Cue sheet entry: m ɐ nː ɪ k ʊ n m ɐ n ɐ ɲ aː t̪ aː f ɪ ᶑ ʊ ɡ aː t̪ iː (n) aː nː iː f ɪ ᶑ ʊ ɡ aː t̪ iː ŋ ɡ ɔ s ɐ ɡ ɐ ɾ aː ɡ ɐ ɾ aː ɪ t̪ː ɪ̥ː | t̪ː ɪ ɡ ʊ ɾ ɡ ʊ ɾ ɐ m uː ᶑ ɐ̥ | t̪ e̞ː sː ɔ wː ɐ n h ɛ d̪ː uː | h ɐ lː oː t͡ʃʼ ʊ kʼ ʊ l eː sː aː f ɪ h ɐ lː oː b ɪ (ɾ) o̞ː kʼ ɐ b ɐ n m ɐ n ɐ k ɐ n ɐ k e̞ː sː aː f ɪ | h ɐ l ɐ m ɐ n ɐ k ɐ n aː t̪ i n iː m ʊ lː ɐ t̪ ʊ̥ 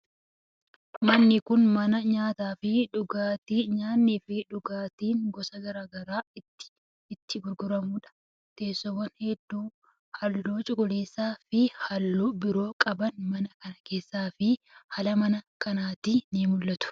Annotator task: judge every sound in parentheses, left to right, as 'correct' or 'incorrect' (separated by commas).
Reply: incorrect, correct